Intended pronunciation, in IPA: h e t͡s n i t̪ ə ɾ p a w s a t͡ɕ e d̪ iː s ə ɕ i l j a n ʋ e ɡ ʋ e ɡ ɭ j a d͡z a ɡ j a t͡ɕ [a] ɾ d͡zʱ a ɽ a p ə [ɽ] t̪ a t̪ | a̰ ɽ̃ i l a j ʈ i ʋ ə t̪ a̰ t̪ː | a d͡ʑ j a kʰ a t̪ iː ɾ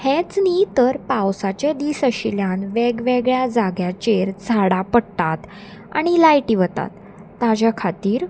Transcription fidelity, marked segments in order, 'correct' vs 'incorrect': incorrect, correct

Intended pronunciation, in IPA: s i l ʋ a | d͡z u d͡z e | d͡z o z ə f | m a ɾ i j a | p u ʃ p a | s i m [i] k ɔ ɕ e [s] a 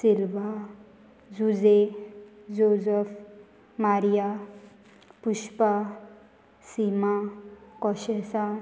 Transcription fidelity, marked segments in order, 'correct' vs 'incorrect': incorrect, correct

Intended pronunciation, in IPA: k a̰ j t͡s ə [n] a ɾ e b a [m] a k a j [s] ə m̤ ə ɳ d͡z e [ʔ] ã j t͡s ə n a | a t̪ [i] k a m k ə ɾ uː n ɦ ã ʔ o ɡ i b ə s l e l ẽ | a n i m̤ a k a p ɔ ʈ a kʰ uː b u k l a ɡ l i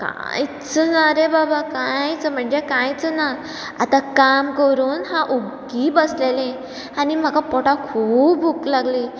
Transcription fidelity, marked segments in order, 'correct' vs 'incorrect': correct, incorrect, incorrect, incorrect, incorrect

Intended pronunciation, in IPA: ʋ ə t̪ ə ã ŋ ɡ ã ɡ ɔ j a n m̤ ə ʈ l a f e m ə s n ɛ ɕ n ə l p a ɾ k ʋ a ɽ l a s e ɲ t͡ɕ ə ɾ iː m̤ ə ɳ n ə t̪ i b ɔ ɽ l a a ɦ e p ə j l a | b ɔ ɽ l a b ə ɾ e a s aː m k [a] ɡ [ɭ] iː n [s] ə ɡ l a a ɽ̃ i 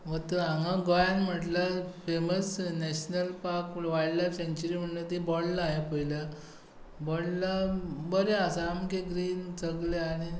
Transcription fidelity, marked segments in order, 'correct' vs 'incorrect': incorrect, incorrect, incorrect

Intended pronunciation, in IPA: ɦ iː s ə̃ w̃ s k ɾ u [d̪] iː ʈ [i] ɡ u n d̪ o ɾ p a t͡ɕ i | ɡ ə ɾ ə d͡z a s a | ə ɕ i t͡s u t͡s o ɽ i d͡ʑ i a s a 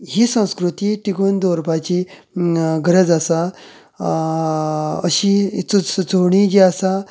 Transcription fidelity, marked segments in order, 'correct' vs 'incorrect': incorrect, correct

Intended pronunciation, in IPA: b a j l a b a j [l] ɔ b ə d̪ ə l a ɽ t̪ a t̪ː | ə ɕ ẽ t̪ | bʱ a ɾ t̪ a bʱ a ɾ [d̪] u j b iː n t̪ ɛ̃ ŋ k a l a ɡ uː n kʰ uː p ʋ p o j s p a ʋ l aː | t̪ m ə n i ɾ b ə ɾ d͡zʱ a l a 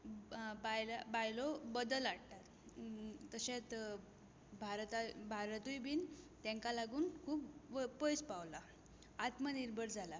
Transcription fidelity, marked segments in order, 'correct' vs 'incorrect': correct, incorrect

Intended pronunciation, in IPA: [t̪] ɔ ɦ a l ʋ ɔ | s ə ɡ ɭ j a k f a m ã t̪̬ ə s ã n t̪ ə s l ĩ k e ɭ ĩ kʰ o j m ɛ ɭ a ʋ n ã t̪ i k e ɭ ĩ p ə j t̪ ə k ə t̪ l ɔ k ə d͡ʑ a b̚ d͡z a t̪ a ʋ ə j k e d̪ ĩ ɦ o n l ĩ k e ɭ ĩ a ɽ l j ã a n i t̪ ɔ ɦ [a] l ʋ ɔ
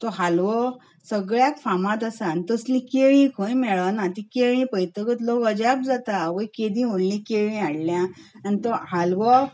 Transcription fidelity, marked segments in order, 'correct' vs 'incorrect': correct, correct

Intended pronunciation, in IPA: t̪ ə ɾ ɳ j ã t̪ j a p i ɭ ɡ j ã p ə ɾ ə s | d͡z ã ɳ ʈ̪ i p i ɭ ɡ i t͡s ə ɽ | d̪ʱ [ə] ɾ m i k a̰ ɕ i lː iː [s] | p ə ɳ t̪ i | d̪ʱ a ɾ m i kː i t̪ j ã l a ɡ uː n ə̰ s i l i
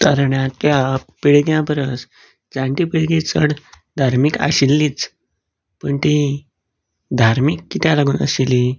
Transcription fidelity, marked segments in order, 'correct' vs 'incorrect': incorrect, incorrect

